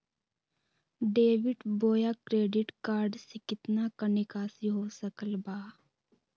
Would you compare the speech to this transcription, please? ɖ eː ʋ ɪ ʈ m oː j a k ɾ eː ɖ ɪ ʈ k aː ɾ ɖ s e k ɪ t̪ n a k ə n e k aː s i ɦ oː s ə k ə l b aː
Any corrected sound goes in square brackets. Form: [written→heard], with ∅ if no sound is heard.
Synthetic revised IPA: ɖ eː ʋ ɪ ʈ [m→b] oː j a k ɾ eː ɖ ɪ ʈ k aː ɾ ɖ s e k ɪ t̪ n a k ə n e k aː s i ɦ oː s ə k ə l b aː